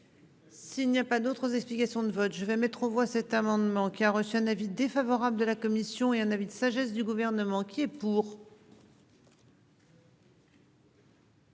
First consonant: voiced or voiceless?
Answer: voiceless